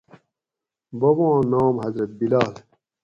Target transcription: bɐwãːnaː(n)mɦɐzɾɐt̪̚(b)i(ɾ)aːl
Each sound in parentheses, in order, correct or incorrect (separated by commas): incorrect, correct, incorrect